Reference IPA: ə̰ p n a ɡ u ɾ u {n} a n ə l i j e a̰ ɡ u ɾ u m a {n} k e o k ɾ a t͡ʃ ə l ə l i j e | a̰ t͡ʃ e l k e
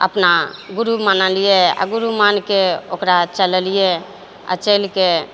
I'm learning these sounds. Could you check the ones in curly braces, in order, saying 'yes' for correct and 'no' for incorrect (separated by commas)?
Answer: no, yes